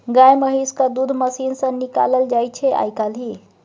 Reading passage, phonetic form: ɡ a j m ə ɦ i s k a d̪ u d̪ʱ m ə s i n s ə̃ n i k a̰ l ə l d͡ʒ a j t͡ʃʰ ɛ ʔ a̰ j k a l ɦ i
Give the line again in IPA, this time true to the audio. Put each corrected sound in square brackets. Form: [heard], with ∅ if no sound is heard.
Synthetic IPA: ɡ a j m ə ɦ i s k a d̪ u d̪ʱ m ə s i n s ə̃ n i k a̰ l ə l d͡ʒ a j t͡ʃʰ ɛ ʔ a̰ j k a l ɦ i